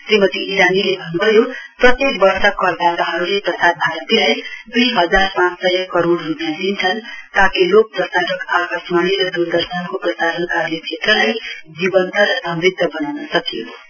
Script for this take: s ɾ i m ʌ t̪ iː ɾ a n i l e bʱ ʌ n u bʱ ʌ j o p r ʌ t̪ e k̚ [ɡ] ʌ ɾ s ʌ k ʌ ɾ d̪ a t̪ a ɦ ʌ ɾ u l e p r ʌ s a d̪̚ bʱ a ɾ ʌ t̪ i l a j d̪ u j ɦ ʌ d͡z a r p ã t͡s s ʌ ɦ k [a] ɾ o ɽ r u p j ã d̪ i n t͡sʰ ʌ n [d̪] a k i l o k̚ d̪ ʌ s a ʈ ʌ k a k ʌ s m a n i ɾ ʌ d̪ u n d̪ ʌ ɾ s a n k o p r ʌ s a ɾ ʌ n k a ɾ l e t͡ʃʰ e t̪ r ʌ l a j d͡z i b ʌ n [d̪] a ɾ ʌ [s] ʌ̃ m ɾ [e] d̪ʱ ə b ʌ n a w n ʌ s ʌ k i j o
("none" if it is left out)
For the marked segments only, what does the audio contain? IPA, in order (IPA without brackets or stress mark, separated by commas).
b, ʌ, t̪, t̪, s, i